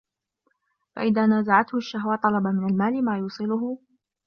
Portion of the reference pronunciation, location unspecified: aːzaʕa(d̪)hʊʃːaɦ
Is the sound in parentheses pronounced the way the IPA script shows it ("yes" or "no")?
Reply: no